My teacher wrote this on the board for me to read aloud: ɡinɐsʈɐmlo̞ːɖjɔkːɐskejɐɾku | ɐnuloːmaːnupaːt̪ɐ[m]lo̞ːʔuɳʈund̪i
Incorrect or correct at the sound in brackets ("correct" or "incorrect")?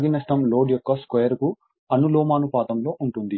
correct